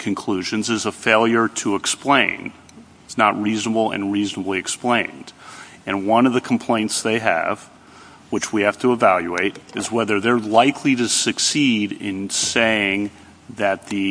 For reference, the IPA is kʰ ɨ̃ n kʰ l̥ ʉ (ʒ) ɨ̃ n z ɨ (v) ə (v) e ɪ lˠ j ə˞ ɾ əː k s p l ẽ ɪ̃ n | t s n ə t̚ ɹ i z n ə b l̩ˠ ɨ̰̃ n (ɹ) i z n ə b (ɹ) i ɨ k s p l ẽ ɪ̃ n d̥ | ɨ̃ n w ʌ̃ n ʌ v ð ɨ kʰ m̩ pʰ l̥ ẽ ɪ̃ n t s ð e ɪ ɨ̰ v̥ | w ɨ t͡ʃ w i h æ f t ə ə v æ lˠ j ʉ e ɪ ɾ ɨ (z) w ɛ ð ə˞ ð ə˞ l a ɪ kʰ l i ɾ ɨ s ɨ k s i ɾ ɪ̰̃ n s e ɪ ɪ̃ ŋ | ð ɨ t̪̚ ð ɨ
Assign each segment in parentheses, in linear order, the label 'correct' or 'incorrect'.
correct, incorrect: z, incorrect: f, correct, incorrect: l, correct

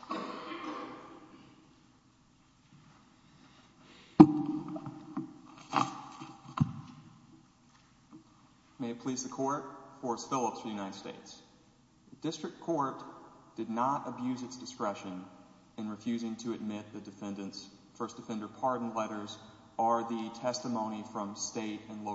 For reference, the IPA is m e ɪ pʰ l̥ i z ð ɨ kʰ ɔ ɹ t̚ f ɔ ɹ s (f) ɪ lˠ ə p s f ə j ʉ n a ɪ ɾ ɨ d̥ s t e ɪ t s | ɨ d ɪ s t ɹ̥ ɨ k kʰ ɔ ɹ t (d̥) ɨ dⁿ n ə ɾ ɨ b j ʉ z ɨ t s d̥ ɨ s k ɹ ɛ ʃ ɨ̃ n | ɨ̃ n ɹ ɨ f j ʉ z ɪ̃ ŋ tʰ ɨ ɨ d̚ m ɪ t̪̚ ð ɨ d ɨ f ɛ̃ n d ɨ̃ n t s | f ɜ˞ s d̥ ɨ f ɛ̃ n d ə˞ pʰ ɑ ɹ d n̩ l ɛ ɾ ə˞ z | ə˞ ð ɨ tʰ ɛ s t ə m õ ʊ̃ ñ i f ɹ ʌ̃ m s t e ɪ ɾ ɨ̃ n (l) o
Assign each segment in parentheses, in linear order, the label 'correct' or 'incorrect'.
correct, correct, correct

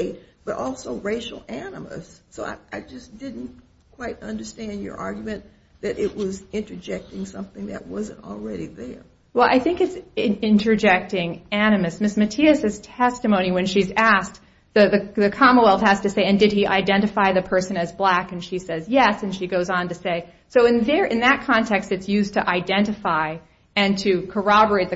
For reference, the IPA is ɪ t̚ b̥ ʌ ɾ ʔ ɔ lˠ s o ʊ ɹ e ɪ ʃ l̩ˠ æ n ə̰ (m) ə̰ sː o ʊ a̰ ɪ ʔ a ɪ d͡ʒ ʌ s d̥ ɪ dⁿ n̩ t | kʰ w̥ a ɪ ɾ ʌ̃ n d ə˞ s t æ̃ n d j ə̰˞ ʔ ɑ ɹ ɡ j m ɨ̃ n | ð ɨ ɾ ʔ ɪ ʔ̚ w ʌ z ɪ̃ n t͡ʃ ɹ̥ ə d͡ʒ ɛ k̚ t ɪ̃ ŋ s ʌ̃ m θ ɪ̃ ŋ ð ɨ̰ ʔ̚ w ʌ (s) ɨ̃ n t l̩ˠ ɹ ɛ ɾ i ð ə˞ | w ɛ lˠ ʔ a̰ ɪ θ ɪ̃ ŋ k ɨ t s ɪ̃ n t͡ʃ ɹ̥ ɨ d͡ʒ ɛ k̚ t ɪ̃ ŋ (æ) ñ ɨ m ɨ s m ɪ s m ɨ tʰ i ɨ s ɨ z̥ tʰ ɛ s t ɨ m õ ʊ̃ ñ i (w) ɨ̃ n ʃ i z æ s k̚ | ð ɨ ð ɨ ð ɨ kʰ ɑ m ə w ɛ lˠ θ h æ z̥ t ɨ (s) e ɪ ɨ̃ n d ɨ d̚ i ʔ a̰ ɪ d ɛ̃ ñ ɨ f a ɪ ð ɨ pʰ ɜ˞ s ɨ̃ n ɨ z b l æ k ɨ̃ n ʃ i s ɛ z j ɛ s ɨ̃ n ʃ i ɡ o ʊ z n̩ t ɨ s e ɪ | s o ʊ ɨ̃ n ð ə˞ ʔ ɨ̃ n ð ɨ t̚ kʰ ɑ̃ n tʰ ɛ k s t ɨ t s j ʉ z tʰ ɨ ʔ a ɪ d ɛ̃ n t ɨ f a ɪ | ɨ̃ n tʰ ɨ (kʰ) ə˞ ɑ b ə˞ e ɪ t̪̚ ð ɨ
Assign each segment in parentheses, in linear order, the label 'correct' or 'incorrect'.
correct, incorrect: z, correct, correct, correct, correct

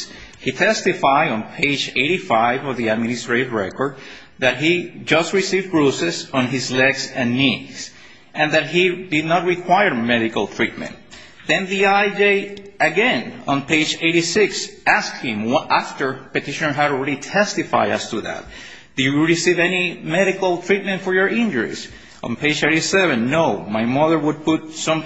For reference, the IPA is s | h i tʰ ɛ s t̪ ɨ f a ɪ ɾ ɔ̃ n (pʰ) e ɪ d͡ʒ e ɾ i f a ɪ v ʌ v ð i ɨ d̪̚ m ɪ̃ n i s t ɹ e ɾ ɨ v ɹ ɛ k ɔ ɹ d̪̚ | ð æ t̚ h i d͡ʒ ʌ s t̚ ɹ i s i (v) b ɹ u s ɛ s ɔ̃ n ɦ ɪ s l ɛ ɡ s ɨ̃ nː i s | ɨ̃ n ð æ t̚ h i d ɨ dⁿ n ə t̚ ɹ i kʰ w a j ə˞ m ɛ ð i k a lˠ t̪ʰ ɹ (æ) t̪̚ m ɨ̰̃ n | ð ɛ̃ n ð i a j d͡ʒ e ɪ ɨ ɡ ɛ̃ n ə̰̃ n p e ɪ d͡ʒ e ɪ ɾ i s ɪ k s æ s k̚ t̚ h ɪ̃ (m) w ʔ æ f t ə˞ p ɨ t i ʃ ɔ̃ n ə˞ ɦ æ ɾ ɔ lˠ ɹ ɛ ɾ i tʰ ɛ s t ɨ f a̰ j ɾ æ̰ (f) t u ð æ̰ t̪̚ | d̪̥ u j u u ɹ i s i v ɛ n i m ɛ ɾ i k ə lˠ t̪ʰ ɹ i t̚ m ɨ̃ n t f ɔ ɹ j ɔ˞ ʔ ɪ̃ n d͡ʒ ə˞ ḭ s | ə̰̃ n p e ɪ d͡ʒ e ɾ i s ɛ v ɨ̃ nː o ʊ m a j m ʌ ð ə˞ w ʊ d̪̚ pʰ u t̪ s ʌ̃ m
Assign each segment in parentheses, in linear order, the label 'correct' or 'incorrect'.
correct, correct, incorrect: i, correct, incorrect: s

